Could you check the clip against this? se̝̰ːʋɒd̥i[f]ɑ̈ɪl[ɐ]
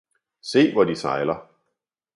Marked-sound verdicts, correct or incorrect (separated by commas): incorrect, correct